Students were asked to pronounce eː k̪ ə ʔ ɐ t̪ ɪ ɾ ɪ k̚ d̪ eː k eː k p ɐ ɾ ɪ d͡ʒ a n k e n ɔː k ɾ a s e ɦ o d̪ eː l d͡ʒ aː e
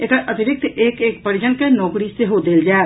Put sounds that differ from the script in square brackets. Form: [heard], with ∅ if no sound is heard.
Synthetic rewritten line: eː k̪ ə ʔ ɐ t̪ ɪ ɾ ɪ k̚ [t̪] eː k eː k p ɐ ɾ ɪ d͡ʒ [ə] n k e n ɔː k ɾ [i] s e ɦ o d̪ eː l d͡ʒ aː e